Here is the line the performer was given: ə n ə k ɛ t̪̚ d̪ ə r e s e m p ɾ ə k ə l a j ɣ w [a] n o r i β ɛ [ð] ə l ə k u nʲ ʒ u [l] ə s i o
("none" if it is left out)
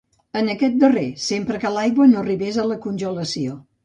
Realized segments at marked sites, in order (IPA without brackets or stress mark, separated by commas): ə, z, l